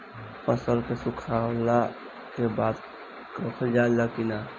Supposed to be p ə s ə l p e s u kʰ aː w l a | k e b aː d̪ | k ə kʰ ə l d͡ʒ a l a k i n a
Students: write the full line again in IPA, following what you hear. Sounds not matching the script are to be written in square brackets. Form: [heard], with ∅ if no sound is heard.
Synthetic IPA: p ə s ə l [k] e s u kʰ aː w l a | k e b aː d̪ | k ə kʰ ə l d͡ʒ a l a k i n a